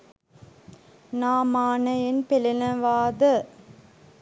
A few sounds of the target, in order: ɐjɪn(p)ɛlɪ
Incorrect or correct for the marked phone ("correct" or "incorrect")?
correct